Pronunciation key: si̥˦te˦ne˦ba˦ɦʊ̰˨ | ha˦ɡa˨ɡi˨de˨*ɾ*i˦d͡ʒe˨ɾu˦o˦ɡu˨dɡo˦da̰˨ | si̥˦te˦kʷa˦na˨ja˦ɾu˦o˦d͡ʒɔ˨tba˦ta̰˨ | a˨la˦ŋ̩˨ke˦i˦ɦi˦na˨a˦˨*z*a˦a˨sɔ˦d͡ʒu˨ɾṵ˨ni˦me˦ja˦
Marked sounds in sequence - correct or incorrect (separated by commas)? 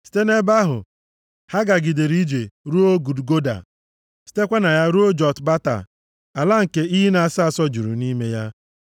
correct, incorrect